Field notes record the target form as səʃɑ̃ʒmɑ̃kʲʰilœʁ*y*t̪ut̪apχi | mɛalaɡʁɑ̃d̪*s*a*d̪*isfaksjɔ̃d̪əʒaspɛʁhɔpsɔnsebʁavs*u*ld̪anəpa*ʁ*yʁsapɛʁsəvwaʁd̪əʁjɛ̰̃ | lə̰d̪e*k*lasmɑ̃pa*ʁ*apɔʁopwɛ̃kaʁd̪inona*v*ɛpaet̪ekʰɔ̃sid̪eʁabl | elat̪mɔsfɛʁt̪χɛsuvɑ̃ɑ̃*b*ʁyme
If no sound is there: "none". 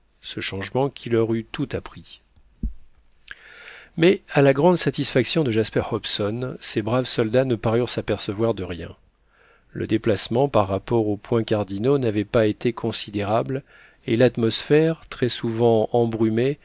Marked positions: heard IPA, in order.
y, s, t̪, ɔ, ʁ, p, ʁː, v, b

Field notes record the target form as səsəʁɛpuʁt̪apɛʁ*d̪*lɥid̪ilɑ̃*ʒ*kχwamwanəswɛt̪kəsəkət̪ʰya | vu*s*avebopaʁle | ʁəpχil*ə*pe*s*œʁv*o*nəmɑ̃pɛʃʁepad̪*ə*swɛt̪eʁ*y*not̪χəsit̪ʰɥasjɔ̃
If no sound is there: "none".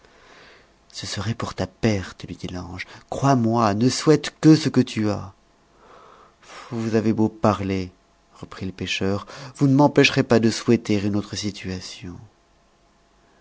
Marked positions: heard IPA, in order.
t̪, ʒ, z, ə, ʃ, u, ə, y

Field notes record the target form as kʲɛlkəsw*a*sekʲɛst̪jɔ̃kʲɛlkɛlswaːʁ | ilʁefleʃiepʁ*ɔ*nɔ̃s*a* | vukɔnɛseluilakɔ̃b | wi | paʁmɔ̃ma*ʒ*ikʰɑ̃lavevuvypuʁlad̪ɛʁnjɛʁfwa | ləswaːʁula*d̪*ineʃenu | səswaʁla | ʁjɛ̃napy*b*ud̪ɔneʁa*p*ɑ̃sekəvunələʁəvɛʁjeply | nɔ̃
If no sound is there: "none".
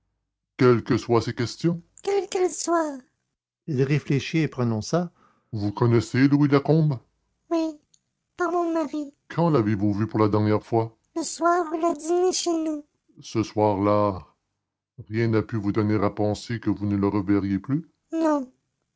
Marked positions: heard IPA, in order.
a, ɔ, a, ʁ, d̪, v, p

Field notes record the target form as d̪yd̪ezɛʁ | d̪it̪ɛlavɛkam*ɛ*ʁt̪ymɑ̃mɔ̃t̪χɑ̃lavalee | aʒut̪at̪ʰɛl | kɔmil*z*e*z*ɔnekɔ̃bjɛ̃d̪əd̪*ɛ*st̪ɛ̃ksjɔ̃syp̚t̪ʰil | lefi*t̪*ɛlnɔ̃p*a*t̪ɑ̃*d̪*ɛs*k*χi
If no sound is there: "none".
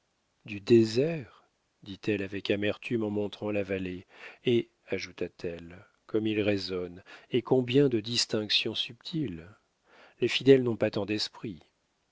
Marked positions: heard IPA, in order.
ɛ, ʁ, z, i, d̪, a, d̪, p

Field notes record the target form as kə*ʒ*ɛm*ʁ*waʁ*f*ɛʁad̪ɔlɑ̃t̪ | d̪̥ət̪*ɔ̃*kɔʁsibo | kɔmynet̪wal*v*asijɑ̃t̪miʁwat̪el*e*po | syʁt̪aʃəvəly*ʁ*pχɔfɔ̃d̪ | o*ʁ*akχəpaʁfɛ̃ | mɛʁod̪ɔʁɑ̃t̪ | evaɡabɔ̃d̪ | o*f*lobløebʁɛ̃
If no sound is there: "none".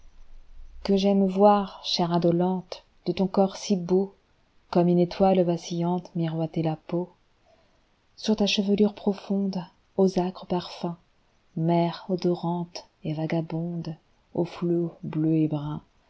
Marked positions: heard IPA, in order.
ʒ, v, ʃ, ɔ̃, v, a, ʁ, z, f

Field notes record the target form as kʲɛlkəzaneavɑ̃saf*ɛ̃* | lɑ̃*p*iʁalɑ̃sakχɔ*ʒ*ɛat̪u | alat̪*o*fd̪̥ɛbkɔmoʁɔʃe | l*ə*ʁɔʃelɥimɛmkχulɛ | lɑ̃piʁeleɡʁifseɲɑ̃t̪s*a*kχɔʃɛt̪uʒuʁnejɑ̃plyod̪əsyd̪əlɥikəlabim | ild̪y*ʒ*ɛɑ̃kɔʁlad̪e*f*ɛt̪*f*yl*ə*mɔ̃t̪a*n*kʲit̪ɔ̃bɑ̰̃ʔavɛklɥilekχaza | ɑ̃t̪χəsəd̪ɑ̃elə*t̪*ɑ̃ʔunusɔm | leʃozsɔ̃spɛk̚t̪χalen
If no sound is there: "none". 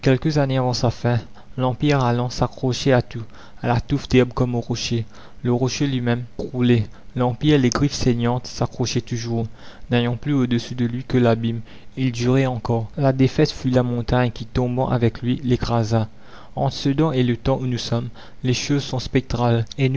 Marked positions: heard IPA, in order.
ɛ̃, p, ʃ, u, ə, a, ʁ, f, f, a, ɲ, t̪

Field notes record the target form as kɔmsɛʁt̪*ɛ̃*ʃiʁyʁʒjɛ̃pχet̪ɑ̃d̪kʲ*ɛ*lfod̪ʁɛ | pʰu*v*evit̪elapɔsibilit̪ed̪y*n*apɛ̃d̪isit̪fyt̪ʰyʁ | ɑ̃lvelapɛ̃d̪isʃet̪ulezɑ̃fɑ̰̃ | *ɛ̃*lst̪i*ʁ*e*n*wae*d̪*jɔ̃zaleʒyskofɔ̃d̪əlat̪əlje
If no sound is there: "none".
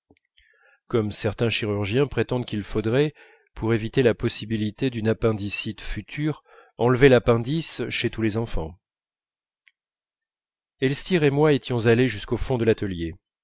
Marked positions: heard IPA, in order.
ɛ̃, i, ʁ, n, ɛ, ʁ, m, t̪

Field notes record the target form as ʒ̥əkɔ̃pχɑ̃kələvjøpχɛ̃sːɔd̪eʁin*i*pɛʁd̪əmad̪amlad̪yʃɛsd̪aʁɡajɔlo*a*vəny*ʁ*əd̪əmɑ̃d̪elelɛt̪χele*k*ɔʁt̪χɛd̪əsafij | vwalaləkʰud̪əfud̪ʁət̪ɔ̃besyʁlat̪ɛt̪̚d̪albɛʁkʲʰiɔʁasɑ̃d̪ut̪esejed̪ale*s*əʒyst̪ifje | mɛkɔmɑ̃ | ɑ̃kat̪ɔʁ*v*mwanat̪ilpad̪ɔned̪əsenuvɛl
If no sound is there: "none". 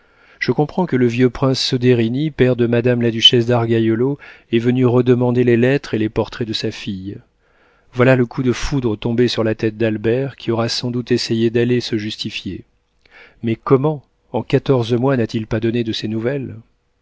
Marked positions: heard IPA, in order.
i, ɛ, ʁ, p, s, z

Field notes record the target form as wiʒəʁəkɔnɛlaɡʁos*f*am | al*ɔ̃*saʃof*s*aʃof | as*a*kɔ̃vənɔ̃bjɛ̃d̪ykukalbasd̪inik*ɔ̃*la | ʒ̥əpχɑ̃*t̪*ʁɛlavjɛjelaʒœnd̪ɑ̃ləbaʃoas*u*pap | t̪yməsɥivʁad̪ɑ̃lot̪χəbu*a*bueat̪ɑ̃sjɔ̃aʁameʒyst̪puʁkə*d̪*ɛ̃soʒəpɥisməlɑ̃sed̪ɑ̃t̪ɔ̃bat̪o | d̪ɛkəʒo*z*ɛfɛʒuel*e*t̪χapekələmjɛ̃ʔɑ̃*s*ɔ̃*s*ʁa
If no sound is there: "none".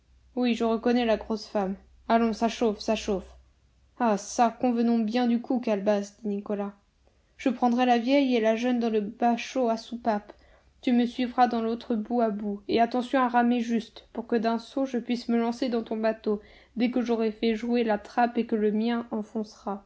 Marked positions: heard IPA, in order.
f, ɔ̃, s, a, ɔ, d̪, u, a, d̪, ʁ, a, f, s

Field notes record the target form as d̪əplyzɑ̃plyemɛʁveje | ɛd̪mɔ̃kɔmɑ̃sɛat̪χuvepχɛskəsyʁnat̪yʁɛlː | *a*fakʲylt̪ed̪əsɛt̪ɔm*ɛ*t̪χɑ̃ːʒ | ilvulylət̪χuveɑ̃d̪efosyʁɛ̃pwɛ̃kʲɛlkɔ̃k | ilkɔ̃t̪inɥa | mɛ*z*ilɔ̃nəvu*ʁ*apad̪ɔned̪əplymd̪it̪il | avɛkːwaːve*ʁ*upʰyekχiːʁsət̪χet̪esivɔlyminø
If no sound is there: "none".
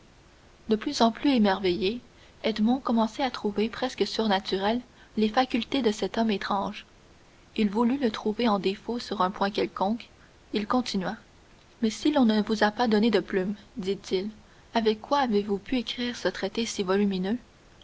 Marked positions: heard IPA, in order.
e, e, s, z, v

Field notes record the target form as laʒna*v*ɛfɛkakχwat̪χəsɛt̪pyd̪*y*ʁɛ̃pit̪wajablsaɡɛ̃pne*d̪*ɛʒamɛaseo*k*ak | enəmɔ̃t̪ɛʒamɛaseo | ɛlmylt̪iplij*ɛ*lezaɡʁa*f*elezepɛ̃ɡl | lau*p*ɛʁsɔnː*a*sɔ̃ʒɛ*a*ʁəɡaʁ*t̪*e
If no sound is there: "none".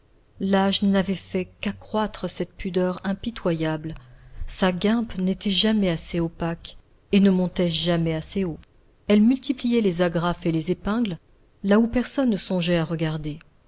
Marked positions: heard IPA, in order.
v, œ, t̪, p, ɛ, f, p, ə, a, d̪

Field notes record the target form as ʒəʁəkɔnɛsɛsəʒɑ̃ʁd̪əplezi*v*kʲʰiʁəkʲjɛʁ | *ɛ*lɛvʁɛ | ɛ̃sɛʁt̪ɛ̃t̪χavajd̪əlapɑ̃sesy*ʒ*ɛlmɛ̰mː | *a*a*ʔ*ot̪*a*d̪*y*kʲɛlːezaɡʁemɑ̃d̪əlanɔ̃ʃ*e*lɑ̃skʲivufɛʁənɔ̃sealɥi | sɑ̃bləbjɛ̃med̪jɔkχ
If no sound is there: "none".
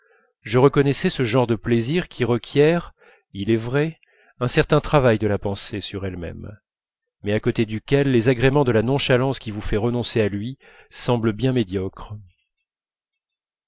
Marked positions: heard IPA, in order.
ʁ, i, ʁ, ɛ, k, e, y, a

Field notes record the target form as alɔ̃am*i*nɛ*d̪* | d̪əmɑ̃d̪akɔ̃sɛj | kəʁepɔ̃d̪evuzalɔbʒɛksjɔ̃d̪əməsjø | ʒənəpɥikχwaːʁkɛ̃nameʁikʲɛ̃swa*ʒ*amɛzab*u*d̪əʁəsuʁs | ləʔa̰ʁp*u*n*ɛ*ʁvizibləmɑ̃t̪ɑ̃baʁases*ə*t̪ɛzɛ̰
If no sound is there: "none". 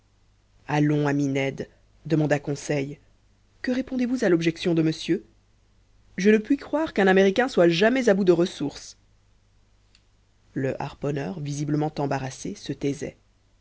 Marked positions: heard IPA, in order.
i, d̪, ʒ, u, ɔ, œ, ə

